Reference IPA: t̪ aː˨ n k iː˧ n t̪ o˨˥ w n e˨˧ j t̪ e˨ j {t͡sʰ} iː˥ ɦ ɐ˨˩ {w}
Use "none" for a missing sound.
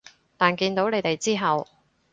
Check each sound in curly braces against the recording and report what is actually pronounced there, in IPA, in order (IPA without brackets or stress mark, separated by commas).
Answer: t͡s, w